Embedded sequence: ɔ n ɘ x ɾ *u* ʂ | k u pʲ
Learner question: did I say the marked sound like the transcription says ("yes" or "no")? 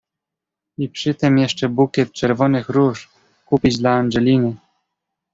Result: yes